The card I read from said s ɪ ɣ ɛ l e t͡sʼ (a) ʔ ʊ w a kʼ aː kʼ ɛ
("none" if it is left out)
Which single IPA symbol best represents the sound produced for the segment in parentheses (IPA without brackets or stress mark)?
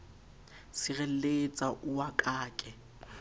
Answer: a